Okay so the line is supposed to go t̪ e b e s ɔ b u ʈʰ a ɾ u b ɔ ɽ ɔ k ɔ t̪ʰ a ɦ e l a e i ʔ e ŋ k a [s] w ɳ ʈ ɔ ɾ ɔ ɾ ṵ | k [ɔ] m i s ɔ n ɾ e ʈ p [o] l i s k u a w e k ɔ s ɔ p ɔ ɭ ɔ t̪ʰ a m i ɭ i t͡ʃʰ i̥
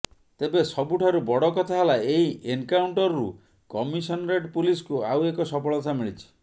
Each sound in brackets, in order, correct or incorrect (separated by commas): incorrect, correct, incorrect